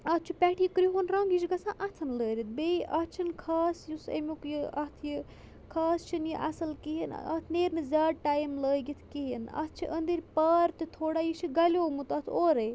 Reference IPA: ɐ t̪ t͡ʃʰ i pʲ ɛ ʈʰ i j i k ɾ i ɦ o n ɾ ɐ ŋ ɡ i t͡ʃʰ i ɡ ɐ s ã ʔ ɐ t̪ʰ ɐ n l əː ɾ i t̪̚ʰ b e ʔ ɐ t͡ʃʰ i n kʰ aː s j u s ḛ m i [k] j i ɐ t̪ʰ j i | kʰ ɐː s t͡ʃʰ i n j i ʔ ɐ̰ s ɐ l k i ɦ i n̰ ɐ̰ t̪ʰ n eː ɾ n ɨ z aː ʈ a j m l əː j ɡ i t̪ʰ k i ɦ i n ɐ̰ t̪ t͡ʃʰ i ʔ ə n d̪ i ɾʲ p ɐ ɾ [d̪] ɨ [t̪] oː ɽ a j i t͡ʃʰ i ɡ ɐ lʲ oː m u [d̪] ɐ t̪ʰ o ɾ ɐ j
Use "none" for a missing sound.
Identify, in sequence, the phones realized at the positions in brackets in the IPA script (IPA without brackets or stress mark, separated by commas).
k, t̪, t̪ʰ, t̪